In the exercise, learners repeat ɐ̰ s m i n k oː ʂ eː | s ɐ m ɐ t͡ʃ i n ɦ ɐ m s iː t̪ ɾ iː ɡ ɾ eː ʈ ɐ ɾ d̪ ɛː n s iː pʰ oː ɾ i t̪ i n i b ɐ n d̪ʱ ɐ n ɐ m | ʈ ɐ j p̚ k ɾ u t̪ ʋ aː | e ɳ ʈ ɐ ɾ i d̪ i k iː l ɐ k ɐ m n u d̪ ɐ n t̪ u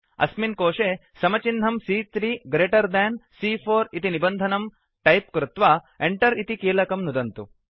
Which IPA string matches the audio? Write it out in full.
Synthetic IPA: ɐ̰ s m i n k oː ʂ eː | s ɐ m ɐ t͡ʃ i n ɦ ɐ m s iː t̪ ɾ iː ɡ ɾ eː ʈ ɐ ɾ d̪ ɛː n s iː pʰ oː ɾ i t̪ i n i b ɐ n d̪ʱ ɐ n ɐ m | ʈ ɐ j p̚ k ɾ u t̪ ʋ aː | e ɳ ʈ ɐ ɾ i t̪ i k iː l ɐ k ɐ m n u d̪ ɐ n t̪ u